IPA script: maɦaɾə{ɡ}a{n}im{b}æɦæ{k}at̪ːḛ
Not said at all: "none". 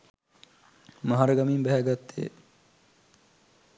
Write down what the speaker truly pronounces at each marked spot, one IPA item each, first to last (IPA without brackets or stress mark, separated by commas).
ɡ, m, b, ɡ